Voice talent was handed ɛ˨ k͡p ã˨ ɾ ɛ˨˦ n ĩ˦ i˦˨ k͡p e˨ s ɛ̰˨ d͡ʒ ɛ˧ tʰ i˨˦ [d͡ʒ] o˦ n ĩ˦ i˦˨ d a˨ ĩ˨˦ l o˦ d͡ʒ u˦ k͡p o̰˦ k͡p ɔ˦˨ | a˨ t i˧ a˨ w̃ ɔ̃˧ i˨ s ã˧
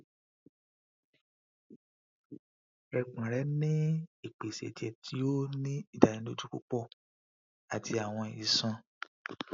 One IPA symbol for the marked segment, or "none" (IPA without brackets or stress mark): none